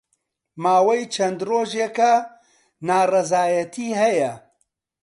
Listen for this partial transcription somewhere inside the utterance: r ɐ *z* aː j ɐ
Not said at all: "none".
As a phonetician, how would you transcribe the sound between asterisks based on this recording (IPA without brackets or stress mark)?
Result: z